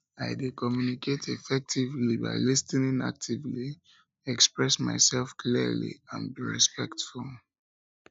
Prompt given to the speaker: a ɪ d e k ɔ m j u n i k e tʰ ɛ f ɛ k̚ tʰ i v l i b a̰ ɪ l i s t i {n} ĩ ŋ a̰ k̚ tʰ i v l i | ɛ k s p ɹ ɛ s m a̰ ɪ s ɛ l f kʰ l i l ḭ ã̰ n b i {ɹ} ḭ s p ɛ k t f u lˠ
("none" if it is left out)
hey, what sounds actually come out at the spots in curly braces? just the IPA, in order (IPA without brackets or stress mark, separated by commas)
n, ɹ